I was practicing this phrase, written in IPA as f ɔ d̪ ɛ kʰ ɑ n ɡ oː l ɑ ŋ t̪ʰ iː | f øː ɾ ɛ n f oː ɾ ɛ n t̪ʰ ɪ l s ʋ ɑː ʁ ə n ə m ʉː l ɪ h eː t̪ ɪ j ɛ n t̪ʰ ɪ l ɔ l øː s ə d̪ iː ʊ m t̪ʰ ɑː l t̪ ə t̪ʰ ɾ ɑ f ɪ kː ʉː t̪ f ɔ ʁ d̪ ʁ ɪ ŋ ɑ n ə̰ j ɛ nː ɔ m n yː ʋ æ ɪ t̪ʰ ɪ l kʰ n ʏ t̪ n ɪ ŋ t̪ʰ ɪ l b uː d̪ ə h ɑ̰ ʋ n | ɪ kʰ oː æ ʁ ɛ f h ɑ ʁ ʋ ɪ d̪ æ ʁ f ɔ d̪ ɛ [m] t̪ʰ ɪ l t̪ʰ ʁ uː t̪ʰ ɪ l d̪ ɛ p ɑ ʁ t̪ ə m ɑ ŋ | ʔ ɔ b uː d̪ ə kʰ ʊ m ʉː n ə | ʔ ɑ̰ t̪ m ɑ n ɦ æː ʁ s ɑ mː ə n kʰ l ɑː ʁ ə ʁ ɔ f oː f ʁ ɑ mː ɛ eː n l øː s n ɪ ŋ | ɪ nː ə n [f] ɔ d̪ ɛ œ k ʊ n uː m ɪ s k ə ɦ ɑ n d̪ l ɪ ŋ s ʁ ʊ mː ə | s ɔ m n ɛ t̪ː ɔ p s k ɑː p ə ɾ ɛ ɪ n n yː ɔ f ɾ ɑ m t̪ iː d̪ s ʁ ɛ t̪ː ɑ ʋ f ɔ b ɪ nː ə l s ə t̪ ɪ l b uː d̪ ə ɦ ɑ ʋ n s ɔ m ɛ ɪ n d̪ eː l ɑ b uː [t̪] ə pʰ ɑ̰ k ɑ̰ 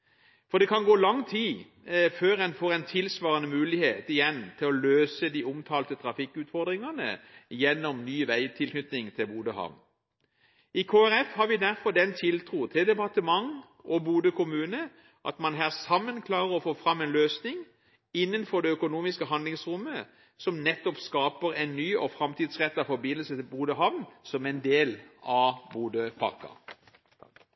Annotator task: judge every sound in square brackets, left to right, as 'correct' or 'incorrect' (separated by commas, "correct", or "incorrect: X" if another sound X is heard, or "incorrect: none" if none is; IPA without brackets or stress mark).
incorrect: n, correct, incorrect: d̪